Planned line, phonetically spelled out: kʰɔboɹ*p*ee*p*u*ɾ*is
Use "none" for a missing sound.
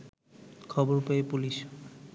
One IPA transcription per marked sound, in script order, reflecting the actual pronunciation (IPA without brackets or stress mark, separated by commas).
p, p, l